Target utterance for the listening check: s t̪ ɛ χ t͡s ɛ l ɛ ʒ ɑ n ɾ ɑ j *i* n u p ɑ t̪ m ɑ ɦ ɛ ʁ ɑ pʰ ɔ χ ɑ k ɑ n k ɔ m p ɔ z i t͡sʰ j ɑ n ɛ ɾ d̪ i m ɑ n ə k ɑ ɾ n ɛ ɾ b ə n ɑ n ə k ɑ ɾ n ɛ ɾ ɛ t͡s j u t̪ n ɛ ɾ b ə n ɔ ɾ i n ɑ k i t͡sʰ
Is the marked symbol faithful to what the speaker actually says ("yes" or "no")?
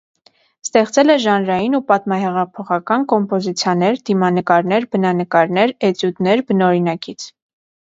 yes